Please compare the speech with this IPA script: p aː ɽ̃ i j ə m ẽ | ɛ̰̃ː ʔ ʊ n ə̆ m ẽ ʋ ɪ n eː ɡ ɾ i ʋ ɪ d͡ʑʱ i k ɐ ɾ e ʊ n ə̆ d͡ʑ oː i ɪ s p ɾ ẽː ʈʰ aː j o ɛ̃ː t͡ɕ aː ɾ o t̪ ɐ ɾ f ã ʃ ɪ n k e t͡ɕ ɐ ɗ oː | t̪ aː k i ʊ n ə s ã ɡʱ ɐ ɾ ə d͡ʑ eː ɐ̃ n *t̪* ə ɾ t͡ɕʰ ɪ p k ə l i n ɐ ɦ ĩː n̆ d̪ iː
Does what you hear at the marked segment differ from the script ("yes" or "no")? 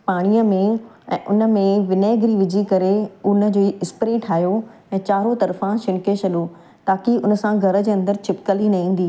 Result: yes